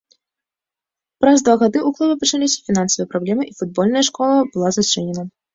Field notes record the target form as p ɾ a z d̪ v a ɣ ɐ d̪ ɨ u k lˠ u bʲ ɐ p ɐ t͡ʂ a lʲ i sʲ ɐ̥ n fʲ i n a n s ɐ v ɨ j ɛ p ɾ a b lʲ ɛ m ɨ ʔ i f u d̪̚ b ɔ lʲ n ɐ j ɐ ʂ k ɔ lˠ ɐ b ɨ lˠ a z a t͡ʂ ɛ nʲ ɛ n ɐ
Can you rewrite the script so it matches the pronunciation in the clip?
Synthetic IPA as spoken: p ɾ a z d̪ v a ɣ a d̪ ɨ u k lˠ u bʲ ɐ p ɐ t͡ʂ a lʲ i sʲ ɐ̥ fʲ i n a n s ɐ v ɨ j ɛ p ɾ a b lʲ ɛ m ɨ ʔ i f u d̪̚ b ɔ lʲ n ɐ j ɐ ʂ k ɔ lˠ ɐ b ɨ lˠ a z a t͡ʂ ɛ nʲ ɛ n ɐ